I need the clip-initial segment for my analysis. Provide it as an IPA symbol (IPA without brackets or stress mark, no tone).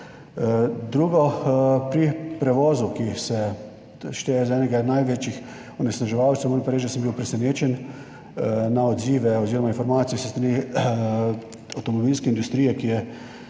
d̪